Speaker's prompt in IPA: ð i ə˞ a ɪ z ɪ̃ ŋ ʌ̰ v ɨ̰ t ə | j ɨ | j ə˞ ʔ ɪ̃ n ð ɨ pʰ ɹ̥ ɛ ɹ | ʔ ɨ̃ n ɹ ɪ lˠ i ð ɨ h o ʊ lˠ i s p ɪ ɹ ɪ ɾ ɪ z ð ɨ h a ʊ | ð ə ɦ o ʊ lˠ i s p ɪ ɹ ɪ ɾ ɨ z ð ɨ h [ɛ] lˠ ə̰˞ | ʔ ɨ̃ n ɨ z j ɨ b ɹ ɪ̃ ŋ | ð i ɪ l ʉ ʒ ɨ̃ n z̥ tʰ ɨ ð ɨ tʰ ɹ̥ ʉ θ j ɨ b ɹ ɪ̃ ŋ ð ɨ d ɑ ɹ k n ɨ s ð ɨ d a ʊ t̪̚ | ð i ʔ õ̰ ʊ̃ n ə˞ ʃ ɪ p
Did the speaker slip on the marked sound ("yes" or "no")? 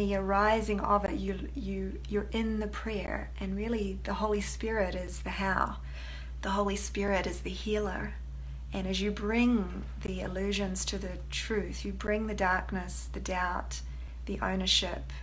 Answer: yes